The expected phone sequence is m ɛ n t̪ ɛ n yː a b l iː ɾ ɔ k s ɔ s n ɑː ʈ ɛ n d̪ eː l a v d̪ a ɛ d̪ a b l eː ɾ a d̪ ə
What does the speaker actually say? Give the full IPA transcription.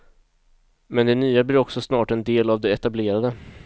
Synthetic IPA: m ɛ n d̪ ɛ n yː a b l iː ɾ ɔ k s ɔ s n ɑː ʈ ɛ n d̪ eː l a v d̪ ɛ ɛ t̪ a b l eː ɾ a d̪ ə

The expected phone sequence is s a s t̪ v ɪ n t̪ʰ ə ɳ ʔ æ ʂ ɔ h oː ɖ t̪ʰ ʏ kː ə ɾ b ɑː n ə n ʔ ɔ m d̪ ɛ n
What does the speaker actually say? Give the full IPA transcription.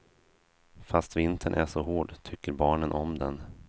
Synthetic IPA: f a s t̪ v ɪ n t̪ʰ ə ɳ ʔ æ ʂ ɔ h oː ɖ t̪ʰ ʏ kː ə ɾ b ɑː ɳ ə n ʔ ɔ m d̪ ɛ n

